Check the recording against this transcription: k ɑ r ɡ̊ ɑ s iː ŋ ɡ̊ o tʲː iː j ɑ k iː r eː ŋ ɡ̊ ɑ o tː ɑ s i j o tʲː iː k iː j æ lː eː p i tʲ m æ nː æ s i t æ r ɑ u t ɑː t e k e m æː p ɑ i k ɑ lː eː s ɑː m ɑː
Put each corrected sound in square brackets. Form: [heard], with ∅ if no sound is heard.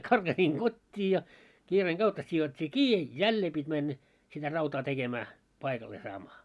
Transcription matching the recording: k ɑ r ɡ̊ ɑ s iː ŋ ɡ̊ o tʲː iː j ɑ k iː r eː ŋ ɡ̊ ɑ [u] tː ɑ s i j o tʲː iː k iː j æ lː eː p i tʲ m æ nː æ s i t æ r ɑ u t ɑː t e k e m æː p ɑ i k ɑ lː eː s ɑː m ɑː